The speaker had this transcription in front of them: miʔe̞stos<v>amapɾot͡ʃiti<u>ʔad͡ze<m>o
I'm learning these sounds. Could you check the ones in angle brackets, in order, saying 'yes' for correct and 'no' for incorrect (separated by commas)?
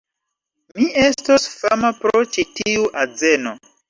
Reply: no, yes, no